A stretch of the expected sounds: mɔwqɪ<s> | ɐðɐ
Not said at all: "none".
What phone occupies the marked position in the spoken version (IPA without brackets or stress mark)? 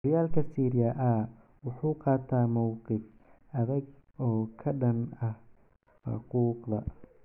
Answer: f